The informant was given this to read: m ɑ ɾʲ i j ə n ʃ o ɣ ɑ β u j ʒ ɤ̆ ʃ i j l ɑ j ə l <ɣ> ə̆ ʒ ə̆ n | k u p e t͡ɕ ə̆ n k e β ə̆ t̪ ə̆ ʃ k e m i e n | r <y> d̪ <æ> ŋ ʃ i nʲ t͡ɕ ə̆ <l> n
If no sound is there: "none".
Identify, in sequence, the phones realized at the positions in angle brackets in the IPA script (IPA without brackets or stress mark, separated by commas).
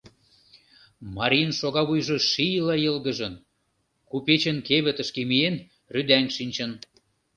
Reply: ɣ, y, æ, none